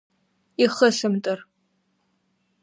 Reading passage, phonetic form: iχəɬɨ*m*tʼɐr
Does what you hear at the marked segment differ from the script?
no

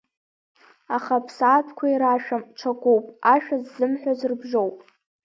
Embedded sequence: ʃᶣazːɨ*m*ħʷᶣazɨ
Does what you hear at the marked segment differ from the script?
no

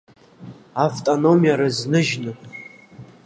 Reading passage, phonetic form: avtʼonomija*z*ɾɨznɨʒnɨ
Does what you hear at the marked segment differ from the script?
yes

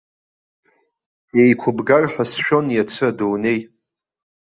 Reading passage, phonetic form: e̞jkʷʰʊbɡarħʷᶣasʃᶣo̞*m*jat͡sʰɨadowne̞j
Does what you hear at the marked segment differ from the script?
yes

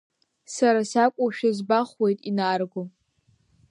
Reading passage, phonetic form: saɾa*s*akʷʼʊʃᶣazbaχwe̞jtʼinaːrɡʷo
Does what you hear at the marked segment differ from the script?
no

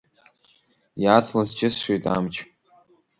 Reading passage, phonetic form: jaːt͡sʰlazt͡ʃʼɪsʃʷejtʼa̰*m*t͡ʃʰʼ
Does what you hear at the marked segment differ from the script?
no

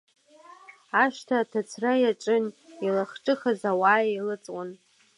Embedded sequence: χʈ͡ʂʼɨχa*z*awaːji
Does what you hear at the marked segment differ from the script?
no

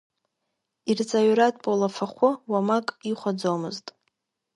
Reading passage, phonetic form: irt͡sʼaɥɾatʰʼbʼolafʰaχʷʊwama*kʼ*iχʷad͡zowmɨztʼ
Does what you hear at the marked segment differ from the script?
no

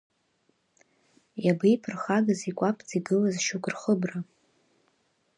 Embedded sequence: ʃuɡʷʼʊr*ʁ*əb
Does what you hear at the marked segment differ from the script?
yes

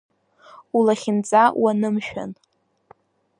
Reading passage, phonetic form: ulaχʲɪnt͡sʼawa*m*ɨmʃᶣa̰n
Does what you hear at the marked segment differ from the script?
yes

